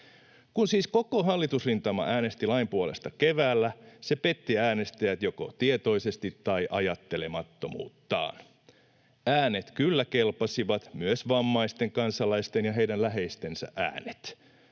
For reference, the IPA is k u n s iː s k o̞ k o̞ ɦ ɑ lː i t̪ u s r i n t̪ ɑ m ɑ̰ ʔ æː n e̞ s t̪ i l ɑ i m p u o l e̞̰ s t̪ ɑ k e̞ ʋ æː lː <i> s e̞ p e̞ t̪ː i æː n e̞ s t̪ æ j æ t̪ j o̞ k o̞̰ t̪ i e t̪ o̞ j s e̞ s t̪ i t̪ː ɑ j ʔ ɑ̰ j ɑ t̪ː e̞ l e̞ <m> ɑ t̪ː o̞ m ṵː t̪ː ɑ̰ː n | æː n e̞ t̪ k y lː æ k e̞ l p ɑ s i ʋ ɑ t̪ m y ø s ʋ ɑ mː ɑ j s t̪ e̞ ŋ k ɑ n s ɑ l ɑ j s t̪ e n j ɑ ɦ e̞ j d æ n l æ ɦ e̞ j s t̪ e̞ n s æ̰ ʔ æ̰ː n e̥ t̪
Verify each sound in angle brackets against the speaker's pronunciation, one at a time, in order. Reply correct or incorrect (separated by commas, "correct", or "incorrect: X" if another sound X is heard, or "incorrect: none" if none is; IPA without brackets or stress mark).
incorrect: æ, correct